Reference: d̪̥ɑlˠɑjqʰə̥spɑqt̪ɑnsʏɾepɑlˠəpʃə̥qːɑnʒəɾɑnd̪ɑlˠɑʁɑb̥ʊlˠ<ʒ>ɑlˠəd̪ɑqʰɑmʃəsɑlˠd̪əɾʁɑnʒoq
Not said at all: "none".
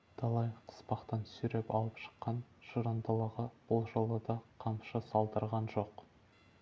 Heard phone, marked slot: ʒ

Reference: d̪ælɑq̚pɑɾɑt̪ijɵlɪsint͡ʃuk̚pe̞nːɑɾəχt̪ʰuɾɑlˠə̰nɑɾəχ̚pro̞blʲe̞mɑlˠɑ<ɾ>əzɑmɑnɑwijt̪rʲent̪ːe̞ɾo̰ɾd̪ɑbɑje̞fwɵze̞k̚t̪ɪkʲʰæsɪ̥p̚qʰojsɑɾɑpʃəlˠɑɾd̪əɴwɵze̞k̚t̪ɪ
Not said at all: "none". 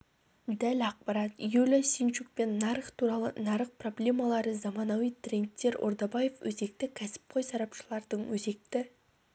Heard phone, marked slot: ɾ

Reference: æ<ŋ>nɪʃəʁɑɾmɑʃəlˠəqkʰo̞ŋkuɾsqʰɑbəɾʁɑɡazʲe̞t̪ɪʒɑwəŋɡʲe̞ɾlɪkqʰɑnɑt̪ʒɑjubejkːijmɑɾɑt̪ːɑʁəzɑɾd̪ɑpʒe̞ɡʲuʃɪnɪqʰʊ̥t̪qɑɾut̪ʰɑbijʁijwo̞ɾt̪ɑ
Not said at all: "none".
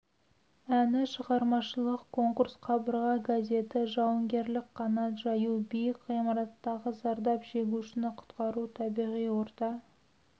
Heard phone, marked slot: none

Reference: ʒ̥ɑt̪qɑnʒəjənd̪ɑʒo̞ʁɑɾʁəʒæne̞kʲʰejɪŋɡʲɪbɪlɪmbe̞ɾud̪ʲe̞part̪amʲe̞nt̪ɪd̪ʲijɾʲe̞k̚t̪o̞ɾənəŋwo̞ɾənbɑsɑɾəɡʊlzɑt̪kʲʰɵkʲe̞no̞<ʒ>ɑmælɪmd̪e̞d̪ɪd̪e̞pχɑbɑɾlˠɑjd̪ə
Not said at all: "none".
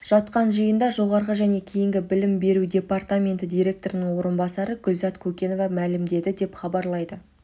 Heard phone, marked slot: v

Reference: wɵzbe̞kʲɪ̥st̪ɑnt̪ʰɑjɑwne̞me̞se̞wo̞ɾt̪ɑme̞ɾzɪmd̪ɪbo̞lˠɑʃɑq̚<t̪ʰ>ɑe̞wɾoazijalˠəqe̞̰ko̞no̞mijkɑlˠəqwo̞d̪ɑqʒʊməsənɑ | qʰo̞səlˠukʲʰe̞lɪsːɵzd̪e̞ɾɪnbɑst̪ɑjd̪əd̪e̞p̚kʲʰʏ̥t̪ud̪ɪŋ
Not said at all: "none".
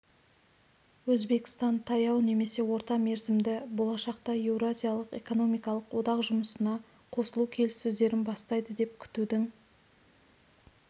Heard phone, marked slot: t̪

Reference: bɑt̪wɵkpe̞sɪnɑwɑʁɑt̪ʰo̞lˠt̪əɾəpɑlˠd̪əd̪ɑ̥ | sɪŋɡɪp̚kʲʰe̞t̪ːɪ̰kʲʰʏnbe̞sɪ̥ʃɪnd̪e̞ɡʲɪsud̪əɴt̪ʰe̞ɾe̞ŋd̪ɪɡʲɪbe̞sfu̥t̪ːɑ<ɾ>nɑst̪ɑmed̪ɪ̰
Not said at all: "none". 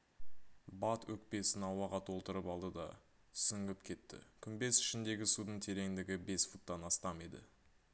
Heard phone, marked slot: none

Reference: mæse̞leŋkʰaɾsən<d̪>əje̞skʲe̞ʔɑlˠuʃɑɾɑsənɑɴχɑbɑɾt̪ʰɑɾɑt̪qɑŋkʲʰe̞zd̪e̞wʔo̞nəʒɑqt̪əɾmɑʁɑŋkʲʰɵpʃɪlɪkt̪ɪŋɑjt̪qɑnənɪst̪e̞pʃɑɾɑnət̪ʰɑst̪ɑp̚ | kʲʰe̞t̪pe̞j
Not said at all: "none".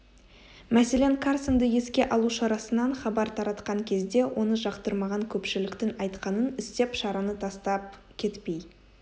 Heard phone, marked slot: d̪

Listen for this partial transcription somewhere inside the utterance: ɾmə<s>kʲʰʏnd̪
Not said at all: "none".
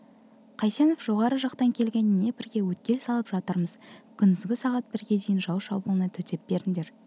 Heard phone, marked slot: z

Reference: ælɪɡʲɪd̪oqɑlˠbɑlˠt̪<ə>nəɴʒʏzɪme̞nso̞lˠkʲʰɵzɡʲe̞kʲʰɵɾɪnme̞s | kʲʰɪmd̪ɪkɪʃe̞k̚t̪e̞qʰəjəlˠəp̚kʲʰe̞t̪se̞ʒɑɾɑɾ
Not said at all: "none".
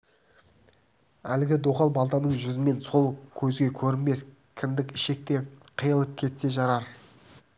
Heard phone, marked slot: ɑ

